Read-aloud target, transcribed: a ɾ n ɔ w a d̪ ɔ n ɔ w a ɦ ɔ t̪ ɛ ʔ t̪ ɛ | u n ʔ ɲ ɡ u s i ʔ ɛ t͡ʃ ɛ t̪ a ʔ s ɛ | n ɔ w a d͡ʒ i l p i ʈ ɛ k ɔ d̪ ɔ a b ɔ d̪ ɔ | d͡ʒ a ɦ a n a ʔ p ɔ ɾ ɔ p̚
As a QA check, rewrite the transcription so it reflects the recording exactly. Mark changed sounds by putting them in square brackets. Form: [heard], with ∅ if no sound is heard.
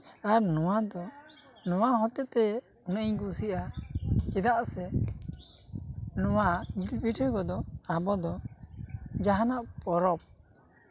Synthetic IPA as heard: a ɾ n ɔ w a d̪ ɔ n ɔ w a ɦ ɔ t̪ ɛ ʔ t̪ ɛ | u n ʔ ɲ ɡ u s i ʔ [a] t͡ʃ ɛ [d̪] a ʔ s ɛ | n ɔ w a d͡ʒ i l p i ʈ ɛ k ɔ d̪ ɔ a b ɔ d̪ ɔ | d͡ʒ a ɦ a n a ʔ p ɔ ɾ ɔ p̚